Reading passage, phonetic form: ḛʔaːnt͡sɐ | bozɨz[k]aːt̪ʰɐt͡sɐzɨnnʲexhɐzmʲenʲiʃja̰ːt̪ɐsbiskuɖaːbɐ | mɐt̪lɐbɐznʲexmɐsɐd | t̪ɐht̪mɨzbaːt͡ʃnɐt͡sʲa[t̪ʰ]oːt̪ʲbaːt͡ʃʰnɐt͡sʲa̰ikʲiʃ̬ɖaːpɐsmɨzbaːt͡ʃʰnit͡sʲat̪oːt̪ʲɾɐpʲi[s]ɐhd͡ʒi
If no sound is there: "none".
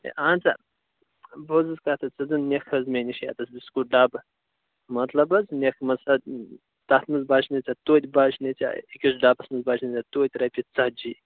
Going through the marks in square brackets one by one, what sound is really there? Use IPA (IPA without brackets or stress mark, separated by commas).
k, t̪, t͡s